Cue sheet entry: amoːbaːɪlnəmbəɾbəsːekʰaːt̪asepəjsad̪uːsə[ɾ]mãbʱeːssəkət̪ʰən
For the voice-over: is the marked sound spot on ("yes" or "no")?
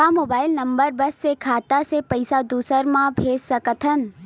yes